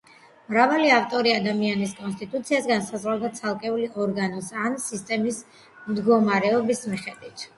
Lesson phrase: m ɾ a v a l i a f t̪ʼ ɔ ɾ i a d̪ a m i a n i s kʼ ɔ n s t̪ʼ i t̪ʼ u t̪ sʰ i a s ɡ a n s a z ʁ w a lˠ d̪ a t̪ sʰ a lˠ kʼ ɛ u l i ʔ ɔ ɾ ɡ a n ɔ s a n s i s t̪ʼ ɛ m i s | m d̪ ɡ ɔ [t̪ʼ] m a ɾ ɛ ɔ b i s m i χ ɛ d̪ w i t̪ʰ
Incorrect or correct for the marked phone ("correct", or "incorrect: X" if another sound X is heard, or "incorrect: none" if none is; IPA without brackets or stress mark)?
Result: incorrect: none